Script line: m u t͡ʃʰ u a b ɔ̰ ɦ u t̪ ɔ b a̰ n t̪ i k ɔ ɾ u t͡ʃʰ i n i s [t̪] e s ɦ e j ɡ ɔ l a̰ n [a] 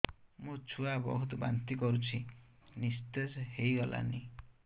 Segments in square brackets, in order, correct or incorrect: correct, incorrect

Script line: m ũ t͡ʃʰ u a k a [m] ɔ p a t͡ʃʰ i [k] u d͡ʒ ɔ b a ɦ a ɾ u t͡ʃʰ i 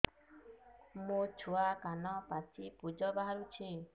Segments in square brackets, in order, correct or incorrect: incorrect, incorrect

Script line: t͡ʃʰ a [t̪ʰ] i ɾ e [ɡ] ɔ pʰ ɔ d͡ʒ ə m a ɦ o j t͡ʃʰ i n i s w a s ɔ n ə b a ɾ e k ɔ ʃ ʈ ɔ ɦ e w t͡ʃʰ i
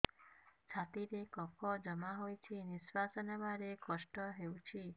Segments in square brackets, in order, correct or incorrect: incorrect, incorrect

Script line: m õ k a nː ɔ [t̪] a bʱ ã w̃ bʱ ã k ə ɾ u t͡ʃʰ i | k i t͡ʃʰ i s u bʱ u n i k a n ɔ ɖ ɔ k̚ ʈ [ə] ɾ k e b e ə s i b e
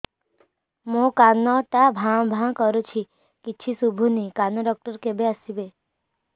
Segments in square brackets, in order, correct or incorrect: correct, correct

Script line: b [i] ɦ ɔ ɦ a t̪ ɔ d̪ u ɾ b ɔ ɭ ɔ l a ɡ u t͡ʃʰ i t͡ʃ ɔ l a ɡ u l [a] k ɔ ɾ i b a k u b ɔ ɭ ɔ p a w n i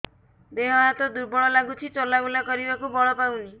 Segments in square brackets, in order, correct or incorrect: incorrect, correct

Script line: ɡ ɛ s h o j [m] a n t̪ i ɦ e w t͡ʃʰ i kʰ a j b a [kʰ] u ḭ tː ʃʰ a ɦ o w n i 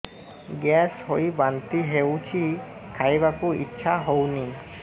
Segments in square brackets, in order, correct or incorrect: incorrect, incorrect

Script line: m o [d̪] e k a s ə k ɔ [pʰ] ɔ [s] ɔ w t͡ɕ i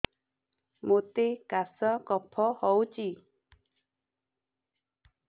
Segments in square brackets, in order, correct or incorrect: incorrect, correct, incorrect

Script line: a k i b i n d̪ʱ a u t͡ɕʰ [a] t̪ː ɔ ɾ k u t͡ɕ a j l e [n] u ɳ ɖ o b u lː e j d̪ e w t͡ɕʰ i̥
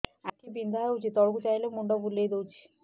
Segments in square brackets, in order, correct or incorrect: incorrect, incorrect

